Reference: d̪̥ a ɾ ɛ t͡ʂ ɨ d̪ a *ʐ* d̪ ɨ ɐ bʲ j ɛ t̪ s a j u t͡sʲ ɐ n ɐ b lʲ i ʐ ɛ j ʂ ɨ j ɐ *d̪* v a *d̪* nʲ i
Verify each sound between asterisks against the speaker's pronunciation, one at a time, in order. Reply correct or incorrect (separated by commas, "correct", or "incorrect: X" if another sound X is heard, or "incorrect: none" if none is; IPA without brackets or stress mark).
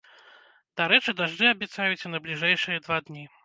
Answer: correct, correct, correct